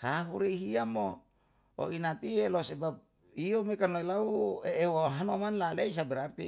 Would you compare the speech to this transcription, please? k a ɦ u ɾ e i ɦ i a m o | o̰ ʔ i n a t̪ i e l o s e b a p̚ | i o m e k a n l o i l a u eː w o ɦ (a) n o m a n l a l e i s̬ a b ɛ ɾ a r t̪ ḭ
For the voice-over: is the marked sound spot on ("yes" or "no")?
yes